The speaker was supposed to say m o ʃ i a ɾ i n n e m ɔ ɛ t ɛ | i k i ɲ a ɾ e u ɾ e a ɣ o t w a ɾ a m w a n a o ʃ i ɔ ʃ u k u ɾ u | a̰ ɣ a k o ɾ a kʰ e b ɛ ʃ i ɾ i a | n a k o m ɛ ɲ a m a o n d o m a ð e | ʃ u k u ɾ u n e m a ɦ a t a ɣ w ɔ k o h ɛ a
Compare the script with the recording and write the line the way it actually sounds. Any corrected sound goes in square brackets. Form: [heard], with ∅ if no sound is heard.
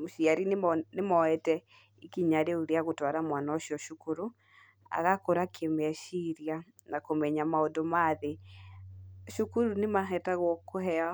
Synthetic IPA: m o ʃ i a ɾ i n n e m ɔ ɛ t ɛ | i k i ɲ a ɾ e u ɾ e a ɣ o t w a ɾ a m w a n a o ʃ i ɔ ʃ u k u ɾ u | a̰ ɣ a k o ɾ a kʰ e [m] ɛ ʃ i ɾ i a | n a k o m ɛ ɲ a m a o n d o m a ð e | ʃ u k u ɾ u n e m a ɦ [ɛ] t a ɣ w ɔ k o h ɛ a